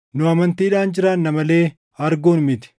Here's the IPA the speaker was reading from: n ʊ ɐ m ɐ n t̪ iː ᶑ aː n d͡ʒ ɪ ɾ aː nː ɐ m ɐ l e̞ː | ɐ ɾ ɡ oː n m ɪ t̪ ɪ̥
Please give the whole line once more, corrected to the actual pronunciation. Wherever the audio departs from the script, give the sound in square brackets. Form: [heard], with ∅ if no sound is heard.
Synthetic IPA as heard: n ʊ ɐ m ɐ n t̪ iː ᶑ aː n d͡ʒ ɪ ɾ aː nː ɐ m ɐ l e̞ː | ɐ ɾ ɡ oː n m ɪ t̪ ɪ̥